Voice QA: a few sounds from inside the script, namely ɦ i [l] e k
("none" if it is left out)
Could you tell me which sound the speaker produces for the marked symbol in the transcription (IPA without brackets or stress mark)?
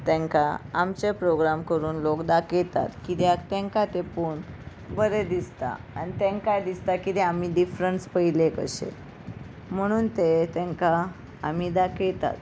l